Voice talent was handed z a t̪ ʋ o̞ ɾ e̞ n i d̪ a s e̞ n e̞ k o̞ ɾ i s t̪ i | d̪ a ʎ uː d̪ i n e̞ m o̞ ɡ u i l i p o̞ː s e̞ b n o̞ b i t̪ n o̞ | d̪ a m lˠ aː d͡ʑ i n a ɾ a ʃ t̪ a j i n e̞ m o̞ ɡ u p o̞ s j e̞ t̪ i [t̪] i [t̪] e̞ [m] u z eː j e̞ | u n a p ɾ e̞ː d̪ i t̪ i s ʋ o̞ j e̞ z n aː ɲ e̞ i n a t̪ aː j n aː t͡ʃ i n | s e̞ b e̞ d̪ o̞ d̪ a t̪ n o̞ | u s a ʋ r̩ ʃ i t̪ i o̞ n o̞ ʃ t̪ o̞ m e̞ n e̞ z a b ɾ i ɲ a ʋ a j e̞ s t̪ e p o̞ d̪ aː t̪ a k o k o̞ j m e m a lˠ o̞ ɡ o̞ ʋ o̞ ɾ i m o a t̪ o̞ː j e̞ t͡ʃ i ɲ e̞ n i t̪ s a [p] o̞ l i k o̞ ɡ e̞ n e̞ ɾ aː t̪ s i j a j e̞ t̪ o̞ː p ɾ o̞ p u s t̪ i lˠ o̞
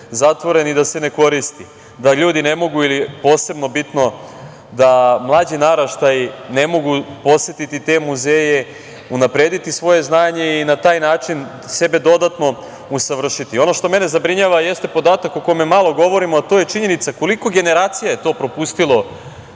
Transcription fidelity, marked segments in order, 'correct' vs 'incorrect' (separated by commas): correct, correct, correct, incorrect